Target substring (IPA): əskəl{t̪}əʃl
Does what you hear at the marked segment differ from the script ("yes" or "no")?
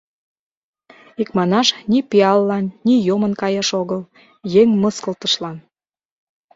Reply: no